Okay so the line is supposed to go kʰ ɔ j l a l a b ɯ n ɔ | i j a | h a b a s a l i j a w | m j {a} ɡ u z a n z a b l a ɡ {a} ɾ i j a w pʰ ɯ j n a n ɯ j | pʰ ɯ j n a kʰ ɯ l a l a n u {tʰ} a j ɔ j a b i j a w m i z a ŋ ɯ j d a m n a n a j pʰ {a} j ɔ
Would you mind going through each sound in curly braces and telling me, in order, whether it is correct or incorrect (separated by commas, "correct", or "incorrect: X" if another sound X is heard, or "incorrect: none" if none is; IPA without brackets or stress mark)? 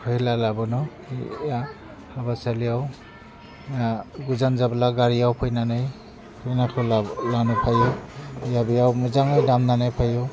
correct, correct, incorrect: pʰ, correct